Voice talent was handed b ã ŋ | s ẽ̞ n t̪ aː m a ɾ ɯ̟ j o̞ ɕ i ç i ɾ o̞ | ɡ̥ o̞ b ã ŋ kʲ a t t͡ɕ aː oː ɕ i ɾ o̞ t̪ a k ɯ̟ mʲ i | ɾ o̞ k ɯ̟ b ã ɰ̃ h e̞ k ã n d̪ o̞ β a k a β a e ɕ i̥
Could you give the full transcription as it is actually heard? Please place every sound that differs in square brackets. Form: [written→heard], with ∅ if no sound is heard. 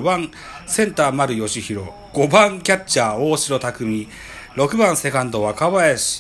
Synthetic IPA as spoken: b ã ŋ | s ẽ̞ n t̪ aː m a ɾ ɯ̟ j o̞ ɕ i ç i ɾ o̞ | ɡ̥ o̞ b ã ŋ kʲ a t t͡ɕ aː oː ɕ i ɾ o̞ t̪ a k ɯ̟ mʲ i | ɾ o̞ k ɯ̟ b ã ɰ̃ [h→s] e̞ k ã n d̪ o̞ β a k a β a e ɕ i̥